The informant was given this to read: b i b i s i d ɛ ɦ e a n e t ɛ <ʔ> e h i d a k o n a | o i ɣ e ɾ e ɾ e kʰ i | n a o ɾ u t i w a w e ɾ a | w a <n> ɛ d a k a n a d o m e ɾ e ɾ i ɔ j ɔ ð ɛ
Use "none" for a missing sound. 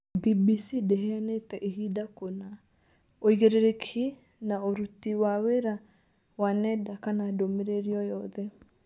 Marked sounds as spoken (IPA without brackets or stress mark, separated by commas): ʔ, n